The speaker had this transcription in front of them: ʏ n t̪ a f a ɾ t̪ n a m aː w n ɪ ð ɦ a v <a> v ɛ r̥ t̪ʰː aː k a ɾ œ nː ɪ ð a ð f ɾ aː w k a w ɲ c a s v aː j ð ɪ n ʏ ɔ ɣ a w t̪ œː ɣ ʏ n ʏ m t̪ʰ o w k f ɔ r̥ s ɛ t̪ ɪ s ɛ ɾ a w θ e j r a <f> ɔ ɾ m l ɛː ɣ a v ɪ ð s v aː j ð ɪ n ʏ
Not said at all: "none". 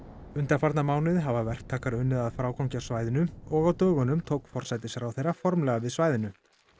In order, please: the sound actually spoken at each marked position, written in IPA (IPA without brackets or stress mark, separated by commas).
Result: a, f